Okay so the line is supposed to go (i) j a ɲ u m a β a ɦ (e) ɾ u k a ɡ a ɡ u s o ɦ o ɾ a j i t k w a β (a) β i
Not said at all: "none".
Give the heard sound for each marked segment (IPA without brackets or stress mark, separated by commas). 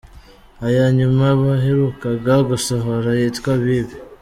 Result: a, e, i